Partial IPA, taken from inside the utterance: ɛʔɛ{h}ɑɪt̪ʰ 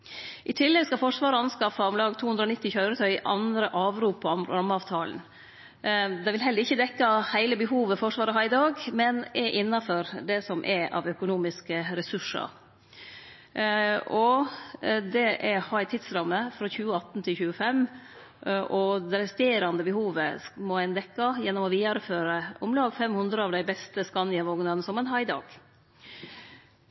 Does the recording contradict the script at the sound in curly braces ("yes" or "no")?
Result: no